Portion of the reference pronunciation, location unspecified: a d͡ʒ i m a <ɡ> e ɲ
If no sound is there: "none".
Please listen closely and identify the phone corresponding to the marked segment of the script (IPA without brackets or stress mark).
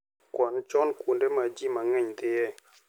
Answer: ŋ